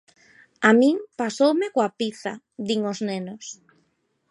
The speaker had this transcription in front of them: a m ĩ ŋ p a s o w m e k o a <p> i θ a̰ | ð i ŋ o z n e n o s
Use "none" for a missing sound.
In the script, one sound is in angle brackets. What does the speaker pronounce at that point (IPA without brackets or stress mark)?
p